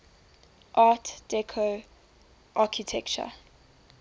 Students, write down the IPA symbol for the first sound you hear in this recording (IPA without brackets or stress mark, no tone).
ʔ